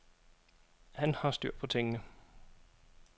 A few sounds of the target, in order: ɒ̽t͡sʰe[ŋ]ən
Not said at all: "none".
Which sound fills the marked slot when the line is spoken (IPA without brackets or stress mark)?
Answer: ŋ